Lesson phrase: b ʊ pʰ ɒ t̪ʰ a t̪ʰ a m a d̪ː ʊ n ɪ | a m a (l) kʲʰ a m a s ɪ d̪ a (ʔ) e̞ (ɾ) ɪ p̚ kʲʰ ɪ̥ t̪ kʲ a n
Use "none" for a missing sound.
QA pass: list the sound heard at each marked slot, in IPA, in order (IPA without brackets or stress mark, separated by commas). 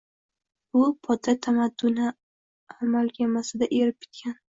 l, ʔ, ɾ